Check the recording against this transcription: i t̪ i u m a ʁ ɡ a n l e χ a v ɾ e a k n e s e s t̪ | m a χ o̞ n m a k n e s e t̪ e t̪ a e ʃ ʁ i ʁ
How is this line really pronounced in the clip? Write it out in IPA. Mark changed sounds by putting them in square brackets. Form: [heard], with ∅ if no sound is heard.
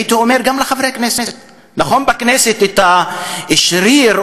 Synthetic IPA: i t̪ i [o] m [e] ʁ ɡ a [m] l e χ a v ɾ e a k n e s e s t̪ | [n] a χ o̞ n [b] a k n e s e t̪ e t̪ a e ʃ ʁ i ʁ